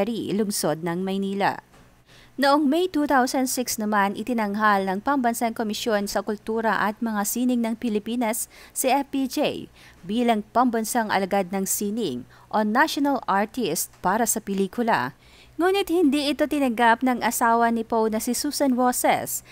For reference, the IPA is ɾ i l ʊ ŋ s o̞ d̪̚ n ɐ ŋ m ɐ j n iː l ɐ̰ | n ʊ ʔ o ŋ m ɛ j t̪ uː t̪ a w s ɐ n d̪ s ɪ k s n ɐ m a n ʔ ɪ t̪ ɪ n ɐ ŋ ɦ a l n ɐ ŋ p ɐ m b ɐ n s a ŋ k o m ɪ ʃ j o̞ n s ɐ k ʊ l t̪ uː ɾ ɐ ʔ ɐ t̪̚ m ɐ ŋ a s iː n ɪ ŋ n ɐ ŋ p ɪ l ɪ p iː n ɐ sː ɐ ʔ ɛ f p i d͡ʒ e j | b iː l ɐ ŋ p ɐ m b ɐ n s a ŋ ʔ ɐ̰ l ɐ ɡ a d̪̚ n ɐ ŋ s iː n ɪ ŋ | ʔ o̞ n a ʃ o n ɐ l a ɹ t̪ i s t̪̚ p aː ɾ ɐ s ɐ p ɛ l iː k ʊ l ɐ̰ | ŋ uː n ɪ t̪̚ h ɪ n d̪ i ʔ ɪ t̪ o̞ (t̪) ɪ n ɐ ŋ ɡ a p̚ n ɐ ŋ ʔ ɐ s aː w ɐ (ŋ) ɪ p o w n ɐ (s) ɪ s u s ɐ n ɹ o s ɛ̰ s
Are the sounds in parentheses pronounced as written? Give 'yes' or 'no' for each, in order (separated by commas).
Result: yes, no, yes